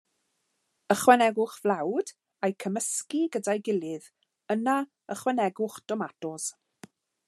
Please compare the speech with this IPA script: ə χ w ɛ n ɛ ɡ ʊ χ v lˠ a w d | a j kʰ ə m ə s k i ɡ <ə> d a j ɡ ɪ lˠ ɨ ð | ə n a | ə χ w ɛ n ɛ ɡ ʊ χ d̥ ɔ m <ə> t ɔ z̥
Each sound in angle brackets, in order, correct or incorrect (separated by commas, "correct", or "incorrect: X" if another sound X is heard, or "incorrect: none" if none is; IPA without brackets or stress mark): correct, incorrect: a